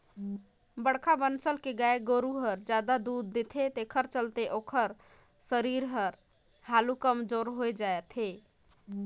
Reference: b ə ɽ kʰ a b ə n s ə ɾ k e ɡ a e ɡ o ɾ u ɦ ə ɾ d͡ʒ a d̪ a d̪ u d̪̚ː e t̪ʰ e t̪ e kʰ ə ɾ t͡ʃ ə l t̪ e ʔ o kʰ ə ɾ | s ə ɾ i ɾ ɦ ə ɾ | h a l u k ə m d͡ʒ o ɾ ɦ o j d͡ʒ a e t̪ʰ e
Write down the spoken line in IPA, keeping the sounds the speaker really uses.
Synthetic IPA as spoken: b ə ɽ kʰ a b ə n s ə l k e ɡ a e ɡ o ɾ u ɦ ə ɾ d͡ʒ a d̪ a d̪ u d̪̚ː e t̪ʰ e t̪ e kʰ ə ɾ t͡ʃ ə l t̪ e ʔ o kʰ ə ɾ | s ə ɾ i ɾ ɦ ə ɾ | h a l u k ə m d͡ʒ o ɾ ɦ o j d͡ʒ a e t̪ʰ e